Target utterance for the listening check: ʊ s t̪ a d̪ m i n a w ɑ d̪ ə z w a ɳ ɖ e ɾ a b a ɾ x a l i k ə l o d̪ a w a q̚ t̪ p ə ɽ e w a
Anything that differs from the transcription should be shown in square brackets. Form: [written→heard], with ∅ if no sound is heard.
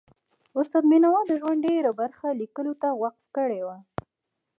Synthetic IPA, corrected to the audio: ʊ s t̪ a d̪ m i n a w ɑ d̪ ə [z→ʒ] w a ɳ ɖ e ɾ a b a ɾ x a l i k ə l o [d̪→t̪] a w a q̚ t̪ [p→k] ə ɽ e w a